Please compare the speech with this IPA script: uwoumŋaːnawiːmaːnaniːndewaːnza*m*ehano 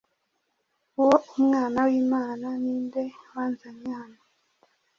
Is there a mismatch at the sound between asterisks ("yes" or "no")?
yes